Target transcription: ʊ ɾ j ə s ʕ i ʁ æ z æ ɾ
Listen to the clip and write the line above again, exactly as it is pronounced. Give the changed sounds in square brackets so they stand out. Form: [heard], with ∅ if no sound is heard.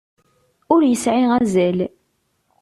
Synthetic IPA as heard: ʊ ɾ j ə s ʕ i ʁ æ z æ [l]